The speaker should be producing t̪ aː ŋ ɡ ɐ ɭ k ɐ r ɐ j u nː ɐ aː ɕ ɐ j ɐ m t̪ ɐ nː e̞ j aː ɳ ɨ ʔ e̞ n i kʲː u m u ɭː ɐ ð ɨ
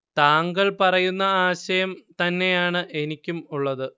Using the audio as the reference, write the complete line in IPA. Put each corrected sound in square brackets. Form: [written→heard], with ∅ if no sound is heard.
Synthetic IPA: t̪ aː ŋ ɡ ɐ ɭ [k→p] ɐ r ɐ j u nː ɐ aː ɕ ɐ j ɐ m t̪ ɐ nː e̞ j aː ɳ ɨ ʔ e̞ n i kʲː u m u ɭː ɐ ð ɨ